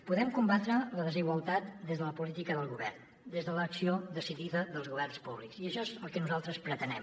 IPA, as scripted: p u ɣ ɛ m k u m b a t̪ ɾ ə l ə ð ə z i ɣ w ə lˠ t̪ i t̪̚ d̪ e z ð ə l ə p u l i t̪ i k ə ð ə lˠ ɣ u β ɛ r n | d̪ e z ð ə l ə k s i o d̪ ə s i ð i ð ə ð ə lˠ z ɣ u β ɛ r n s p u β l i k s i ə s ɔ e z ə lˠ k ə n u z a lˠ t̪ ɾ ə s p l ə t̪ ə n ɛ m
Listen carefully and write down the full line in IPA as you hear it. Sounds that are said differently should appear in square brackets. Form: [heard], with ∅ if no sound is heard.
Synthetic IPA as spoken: p u [ð] ɛ m k u m b a t̪ ɾ ə l ə ð ə z i ɣ w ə lˠ t̪ [a] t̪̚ d̪ e z ð ə l ə p u l i t̪ i k ə ð ə lˠ ɣ u β ɛ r n | d̪ e z ð ə l ə k s i o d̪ ə s i ð i ð ə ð ə lˠ z ɣ u β ɛ r n s p u β l i k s i ə [ʃ] ɔ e z ə lˠ k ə n u z a lˠ t̪ ɾ ə s p [ɾ] ə t̪ ə n ɛ m